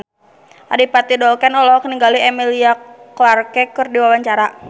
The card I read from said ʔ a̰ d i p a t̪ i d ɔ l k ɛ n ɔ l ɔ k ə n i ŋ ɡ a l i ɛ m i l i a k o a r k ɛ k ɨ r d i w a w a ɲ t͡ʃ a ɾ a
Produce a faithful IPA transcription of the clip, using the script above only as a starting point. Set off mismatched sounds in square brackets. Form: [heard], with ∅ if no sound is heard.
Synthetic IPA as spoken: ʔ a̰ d i p a t̪ i d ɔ l k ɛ n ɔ l ɔ k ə n i ŋ ɡ a l i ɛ m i l i a k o a r k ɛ k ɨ r d i w a w a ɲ t͡ʃ a ɾ a